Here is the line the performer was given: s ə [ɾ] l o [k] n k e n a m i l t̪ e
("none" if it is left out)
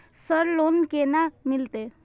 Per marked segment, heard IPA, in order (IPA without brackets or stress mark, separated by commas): ɾ, none